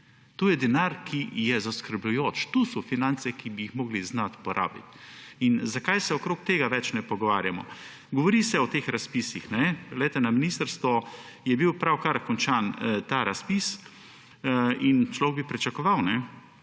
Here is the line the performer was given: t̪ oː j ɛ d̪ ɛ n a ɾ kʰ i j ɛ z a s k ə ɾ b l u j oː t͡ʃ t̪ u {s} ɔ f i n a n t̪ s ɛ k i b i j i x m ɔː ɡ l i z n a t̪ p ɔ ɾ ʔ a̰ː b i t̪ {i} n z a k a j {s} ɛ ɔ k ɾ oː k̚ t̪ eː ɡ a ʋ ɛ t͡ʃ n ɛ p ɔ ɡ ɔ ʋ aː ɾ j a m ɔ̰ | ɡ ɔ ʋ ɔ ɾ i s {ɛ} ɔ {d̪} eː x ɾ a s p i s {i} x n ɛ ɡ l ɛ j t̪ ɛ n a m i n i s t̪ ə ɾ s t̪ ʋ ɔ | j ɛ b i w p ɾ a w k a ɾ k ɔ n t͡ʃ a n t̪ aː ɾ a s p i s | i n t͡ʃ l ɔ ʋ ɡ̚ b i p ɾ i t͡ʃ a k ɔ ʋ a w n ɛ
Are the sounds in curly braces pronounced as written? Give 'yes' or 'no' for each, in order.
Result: yes, yes, yes, yes, no, yes

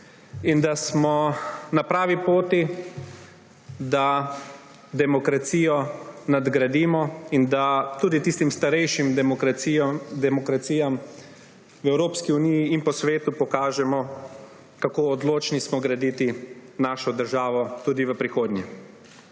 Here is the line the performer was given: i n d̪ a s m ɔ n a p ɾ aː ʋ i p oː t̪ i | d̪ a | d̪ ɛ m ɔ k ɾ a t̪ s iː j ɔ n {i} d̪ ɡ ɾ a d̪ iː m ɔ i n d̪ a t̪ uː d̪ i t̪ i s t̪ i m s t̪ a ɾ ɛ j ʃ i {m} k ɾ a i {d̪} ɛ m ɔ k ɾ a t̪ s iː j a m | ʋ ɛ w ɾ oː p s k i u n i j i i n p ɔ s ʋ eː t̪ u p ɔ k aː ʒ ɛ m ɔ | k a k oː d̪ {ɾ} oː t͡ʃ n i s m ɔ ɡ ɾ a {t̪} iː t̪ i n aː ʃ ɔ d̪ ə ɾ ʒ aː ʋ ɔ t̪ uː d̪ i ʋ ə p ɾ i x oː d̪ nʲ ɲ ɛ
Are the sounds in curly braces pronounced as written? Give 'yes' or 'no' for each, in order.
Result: no, yes, yes, no, no

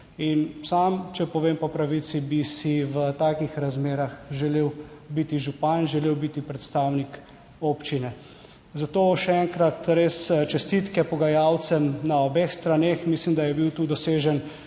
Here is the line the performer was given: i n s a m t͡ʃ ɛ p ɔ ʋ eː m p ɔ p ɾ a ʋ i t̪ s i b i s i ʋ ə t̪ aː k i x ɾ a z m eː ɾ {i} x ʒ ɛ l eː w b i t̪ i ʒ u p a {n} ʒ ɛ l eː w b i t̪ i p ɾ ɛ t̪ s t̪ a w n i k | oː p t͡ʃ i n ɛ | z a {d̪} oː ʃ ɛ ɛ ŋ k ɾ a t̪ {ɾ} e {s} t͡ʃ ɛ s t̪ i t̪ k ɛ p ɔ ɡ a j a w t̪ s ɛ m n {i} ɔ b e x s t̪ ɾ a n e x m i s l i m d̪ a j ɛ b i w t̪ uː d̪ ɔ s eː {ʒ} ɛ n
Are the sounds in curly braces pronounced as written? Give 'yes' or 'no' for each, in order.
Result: no, yes, no, yes, yes, no, yes

